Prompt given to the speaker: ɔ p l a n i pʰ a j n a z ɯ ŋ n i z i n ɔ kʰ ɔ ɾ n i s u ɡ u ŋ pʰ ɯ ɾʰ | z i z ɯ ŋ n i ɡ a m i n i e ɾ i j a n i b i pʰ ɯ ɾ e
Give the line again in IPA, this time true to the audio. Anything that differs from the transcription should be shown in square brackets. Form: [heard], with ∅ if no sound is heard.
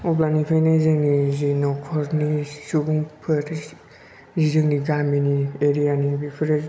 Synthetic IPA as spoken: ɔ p l a n i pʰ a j n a z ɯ ŋ n i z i n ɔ kʰ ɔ ɾ n i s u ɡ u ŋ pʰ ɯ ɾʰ | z i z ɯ ŋ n i ɡ a m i n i e ɾ i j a n i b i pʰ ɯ ɾ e